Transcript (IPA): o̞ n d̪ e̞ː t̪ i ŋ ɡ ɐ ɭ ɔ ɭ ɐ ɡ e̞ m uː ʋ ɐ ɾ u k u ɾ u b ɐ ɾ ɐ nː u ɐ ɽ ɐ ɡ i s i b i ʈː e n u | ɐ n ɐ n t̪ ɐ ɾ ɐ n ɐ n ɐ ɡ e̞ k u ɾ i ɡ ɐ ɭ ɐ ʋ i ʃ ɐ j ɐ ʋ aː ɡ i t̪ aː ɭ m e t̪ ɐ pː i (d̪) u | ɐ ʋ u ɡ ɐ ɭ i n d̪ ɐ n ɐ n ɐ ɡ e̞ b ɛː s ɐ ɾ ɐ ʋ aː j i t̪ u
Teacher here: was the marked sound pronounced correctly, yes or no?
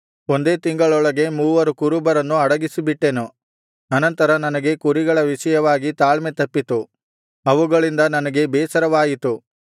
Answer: no